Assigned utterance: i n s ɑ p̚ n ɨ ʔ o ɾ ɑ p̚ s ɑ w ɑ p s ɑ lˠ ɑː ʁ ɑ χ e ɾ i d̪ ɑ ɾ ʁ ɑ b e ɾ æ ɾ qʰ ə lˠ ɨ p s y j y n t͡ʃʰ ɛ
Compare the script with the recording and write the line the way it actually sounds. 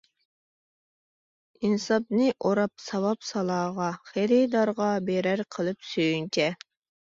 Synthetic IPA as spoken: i n s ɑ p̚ n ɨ ʔ o ɾ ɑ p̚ s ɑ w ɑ p s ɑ lˠ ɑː ʁ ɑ χ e ɾ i d̪ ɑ ɾ ʁ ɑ b e ɾ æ ɾ qʰ ə lˠ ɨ p s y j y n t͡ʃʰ ɛ